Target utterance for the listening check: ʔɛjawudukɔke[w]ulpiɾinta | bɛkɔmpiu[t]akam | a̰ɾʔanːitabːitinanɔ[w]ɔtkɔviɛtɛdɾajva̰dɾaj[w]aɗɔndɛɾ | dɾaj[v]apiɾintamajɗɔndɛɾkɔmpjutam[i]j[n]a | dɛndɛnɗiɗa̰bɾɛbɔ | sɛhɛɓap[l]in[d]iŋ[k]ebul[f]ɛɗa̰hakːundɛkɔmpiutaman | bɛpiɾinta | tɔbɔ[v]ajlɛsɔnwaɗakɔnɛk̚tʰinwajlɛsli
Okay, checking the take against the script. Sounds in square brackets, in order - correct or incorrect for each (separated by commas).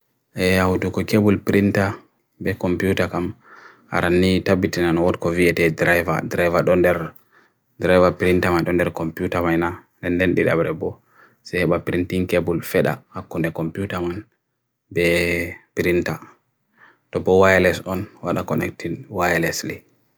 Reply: incorrect, correct, correct, incorrect, correct, incorrect, correct, incorrect, incorrect, correct, correct, incorrect